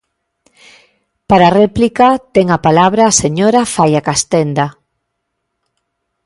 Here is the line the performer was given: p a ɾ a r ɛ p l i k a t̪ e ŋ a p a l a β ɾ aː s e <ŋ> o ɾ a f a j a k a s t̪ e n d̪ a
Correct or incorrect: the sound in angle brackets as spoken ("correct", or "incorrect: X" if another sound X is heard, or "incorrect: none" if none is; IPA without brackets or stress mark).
incorrect: ɲ